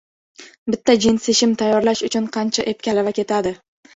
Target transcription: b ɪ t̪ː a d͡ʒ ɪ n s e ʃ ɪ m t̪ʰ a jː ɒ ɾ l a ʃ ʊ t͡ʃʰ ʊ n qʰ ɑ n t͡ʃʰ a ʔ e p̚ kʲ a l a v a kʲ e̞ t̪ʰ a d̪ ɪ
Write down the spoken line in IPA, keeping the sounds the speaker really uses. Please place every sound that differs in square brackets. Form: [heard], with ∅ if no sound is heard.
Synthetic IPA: b ɪ t̪ː a d͡ʒ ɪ n s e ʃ ɪ m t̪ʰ a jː ɒ ɾ l a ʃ ʊ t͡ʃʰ ʊ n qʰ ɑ n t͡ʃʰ a ʔ e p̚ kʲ a l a v a kʲ e̞ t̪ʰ a d̪ ɪ